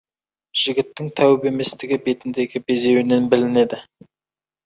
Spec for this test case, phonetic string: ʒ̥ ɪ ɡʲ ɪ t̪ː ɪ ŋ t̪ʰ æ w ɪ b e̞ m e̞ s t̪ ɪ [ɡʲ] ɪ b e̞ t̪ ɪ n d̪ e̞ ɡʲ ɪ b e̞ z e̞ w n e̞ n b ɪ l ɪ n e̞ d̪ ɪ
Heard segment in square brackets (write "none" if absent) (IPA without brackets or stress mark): ɡʲ